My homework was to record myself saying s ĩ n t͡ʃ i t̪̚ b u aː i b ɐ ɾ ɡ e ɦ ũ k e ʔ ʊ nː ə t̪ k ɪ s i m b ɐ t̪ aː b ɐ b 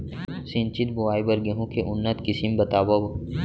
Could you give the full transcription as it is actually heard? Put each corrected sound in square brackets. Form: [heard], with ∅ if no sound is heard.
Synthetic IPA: s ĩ n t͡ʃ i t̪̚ b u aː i b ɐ ɾ ɡ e ɦ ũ k e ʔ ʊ nː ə t̪ k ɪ s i m b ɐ t̪ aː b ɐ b